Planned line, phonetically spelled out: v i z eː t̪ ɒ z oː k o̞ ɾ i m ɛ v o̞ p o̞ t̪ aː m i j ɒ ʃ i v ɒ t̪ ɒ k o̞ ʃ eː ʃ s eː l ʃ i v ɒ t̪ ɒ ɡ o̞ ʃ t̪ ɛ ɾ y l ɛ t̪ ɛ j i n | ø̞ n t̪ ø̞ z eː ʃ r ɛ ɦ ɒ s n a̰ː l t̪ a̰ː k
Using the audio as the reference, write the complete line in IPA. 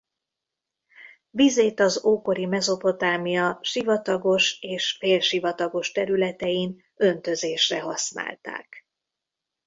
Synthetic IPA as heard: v i z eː t̪ ɒ z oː k o̞ ɾ i m ɛ z o̞ p o̞ t̪ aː m i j ɒ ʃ i v ɒ t̪ ɒ ɡ o̞ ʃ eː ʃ f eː l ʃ i v ɒ t̪ ɒ ɡ o̞ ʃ t̪ ɛ ɾ y l ɛ t̪ ɛ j i n | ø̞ n t̪ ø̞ z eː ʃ r ɛ ɦ ɒ s n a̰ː l t̪ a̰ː k